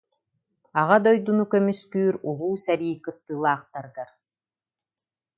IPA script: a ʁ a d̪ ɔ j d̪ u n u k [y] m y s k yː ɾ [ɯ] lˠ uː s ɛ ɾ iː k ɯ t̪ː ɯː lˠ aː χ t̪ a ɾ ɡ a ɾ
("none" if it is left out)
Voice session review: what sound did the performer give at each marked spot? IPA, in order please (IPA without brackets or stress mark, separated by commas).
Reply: œ, u